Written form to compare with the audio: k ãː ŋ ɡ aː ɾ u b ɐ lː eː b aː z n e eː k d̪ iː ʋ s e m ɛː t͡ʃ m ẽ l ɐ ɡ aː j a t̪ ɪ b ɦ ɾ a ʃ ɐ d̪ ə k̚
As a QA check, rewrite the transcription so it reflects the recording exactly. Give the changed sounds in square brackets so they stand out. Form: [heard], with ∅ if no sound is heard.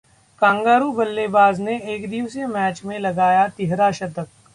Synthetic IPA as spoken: k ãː ŋ ɡ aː ɾ u b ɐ lː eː b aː z n e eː k d̪ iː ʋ s e m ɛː t͡ʃ m ẽ l ɐ ɡ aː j a t̪ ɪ [∅] ɦ ɾ a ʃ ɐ [t̪] ə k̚